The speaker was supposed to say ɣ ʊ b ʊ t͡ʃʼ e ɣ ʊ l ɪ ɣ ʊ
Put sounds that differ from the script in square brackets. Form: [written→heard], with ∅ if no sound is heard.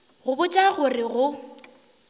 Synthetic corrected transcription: ɣ ʊ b ʊ t͡ʃʼ [e→a] ɣ ʊ [l→r] ɪ ɣ ʊ